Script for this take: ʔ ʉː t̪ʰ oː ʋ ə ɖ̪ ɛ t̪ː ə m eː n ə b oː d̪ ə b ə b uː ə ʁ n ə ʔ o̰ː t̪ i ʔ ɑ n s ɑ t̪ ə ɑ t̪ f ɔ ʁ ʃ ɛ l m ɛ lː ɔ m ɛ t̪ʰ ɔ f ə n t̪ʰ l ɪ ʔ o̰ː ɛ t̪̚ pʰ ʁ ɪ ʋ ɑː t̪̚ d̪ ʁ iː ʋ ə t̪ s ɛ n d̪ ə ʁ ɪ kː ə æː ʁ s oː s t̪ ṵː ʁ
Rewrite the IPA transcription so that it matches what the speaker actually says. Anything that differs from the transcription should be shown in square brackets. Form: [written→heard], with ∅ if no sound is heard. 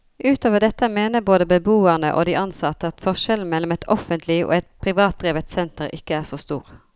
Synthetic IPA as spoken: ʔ ʉː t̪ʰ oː ʋ ə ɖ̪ ɛ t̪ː ə m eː n ə b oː d̪ ə b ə b uː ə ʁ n ə ʔ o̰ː [t̪→d̪] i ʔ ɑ n s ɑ t̪ ə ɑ t̪ f ɔ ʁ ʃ ɛ l m ɛ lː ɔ m ɛ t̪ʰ ɔ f ə n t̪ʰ l ɪ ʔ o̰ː ɛ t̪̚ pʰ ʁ ɪ ʋ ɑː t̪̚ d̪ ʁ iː ʋ ə t̪ s ɛ n [d̪→t̪] ə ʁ ɪ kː ə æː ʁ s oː s t̪ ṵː ʁ